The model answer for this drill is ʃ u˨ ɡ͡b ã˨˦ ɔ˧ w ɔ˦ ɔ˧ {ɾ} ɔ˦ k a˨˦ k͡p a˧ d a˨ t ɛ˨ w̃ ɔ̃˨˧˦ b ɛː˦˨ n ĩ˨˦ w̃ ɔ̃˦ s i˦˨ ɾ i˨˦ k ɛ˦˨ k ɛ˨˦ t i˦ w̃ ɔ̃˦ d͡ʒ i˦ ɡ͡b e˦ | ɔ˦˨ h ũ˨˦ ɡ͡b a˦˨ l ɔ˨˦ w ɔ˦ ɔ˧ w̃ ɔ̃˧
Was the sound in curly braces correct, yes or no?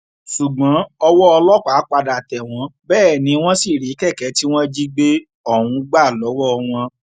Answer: no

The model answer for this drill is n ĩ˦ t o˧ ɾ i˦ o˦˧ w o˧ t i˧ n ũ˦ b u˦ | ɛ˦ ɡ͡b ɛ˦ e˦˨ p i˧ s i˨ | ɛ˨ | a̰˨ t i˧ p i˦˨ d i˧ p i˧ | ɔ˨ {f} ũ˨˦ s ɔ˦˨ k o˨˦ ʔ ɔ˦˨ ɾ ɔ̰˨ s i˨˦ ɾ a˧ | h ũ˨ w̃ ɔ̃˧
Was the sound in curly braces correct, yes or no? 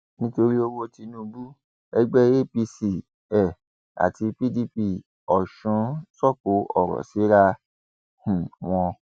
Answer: no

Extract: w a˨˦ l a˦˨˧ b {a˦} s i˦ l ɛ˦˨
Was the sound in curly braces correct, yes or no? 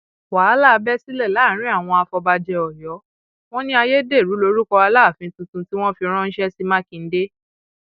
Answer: no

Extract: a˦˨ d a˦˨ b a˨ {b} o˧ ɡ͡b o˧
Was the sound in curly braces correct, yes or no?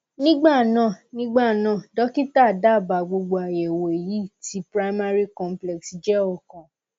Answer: no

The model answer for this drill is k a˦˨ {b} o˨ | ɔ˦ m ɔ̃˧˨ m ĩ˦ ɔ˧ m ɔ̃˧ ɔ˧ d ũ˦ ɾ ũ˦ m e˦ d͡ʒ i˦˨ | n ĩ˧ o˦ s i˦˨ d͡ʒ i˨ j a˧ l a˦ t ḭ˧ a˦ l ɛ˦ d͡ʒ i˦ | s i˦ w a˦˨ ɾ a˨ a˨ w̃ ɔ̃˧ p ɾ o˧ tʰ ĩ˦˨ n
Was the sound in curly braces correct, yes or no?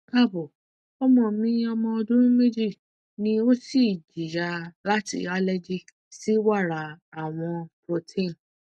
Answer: yes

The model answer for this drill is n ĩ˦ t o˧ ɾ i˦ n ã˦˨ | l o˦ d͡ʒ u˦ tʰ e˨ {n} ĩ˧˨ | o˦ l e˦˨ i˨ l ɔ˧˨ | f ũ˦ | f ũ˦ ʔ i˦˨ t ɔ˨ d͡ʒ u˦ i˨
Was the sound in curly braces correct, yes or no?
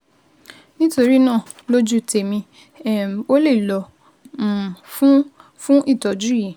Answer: no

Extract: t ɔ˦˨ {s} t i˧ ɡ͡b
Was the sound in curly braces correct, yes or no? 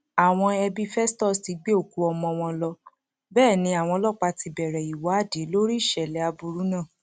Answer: yes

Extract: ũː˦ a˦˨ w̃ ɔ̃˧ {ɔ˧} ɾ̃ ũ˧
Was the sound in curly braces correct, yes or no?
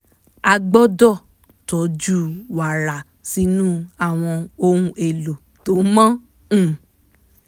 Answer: no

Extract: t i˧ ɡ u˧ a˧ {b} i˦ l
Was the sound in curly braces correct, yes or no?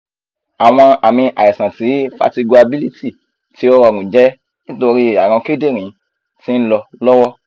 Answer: yes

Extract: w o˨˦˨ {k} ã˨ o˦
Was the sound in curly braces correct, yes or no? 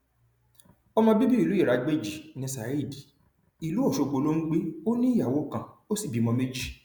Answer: yes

